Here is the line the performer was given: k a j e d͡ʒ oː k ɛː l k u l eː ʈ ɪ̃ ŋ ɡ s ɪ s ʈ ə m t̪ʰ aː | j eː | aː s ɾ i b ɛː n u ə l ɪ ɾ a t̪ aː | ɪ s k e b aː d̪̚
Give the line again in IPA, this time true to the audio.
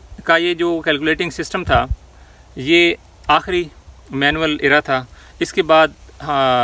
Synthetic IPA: k a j e d͡ʒ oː k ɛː l k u l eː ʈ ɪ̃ ŋ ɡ s ɪ s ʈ ə m t̪ʰ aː | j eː | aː x ɾ i m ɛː n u ə l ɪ ɾ a t̪ʰ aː | ɪ s k e b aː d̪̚